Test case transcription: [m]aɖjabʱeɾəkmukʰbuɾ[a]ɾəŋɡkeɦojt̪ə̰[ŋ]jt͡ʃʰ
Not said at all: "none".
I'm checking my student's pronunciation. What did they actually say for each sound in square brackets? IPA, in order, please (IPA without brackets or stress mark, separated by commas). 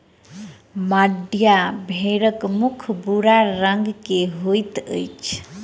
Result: m, a, none